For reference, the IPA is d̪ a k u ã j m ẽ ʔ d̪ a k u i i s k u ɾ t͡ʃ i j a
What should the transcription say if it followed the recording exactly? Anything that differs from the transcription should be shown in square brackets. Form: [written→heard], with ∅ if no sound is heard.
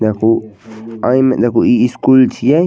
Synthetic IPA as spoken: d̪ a k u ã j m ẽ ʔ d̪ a k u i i s k u [ɾ→l] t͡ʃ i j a